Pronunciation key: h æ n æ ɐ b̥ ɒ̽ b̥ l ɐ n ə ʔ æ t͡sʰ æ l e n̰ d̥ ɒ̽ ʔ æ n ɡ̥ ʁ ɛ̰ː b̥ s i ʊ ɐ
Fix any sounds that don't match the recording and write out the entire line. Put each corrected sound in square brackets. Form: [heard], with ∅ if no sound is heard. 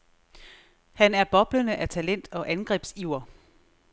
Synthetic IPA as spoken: h æ n æ ɐ b̥ ɒ̽ b̥ l [ə] n ə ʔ æ t͡sʰ æ l e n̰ d̥ ɒ̽ ʔ æ n ɡ̥ ʁ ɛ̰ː b̥ s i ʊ ɐ